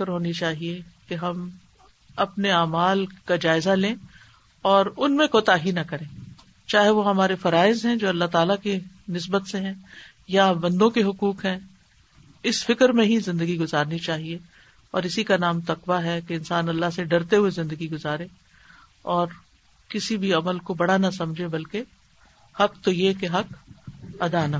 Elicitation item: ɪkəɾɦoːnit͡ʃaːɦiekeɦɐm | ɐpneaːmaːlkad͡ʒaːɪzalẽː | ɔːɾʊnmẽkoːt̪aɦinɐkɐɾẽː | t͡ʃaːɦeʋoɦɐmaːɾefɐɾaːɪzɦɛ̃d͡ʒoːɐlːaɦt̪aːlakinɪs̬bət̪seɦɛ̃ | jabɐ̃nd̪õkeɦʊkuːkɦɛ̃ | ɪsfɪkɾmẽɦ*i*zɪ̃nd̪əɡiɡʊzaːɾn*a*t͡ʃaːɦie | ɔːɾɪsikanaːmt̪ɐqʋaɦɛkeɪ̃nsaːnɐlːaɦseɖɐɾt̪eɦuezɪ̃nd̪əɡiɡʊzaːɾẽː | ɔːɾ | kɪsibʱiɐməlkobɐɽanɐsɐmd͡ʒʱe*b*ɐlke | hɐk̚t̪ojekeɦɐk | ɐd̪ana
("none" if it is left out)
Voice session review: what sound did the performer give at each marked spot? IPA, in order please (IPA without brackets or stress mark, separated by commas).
i, i, b